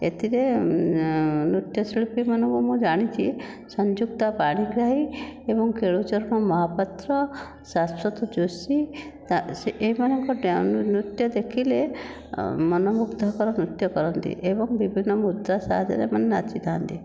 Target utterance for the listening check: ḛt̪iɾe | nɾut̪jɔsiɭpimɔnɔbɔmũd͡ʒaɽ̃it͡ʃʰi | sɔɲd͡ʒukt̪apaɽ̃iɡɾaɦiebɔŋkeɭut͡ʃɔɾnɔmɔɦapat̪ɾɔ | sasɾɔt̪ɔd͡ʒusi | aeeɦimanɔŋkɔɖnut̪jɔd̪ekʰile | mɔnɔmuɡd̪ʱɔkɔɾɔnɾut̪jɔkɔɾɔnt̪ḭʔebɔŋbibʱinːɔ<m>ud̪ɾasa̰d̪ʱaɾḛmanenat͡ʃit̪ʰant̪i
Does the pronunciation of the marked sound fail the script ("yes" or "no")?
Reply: no